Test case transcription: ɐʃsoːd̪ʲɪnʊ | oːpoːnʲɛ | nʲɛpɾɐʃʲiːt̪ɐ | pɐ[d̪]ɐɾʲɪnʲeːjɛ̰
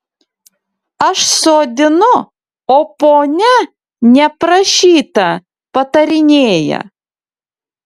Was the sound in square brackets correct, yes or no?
no